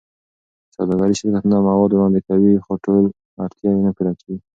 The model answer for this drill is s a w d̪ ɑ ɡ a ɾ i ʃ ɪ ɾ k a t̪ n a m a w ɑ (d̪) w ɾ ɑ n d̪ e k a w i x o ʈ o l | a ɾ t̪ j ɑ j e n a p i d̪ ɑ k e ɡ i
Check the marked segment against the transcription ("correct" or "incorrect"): correct